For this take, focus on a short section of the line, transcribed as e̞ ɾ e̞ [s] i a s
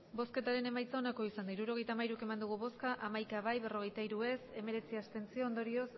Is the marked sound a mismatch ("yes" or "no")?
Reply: yes